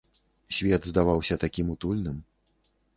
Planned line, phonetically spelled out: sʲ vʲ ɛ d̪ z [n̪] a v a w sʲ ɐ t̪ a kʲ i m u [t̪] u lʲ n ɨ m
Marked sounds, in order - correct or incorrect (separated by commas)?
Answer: incorrect, correct